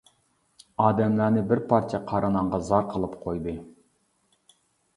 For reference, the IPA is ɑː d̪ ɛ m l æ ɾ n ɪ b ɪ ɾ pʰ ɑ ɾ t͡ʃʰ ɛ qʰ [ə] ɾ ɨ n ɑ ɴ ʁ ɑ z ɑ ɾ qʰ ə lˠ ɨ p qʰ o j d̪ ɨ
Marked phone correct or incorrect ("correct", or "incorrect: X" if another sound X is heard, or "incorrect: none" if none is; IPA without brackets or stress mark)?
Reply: incorrect: ɑ